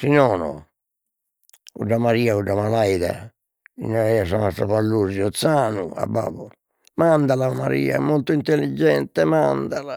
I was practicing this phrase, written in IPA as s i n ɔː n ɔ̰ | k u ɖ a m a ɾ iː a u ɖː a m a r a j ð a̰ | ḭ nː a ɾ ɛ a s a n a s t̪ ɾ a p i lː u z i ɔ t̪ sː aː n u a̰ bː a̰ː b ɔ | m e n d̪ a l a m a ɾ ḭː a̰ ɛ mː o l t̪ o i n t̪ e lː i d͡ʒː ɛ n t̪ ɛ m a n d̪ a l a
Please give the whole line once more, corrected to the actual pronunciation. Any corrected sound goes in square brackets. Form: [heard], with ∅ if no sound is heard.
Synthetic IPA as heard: s i n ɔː n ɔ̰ | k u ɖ a m a ɾ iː a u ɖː a m a [l] a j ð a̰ | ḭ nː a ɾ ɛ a s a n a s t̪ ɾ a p [a] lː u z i ɔ t̪ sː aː n u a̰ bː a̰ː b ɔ | m [a] n d̪ a l a m a ɾ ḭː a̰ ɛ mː o l t̪ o i n t̪ e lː i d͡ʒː ɛ n t̪ ɛ m a n d̪ a l a